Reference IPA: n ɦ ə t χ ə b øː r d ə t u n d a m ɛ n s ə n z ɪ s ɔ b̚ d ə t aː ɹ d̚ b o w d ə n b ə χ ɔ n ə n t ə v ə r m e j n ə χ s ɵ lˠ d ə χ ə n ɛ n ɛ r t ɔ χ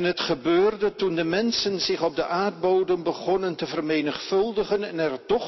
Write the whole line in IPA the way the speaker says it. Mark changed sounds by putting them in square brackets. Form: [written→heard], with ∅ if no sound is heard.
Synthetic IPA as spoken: n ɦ ə t χ ə b øː r d ə t u n d [a→ə] m ɛ n s ə n z ɪ [s→χ] ɔ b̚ d ə [t→ʔ] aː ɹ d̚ b o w d ə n b ə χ ɔ n ə n t ə v ə r m e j n ə χ [s→f] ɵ lˠ d ə χ ə n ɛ n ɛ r t ɔ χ